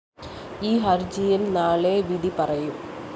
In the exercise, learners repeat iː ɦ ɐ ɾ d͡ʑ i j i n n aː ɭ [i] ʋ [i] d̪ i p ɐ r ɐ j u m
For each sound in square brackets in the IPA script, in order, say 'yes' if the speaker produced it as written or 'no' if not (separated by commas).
no, yes